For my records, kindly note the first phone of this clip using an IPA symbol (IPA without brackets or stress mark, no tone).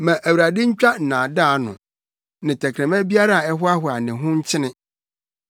m